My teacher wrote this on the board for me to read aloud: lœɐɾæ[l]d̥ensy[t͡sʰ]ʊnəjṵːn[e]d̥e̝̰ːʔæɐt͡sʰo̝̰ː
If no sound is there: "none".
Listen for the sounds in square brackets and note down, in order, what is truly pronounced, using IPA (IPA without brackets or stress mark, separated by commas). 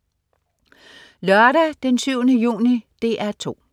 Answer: none, none, i